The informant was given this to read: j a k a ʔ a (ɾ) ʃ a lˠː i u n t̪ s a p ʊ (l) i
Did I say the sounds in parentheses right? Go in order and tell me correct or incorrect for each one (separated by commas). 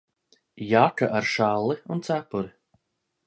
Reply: correct, incorrect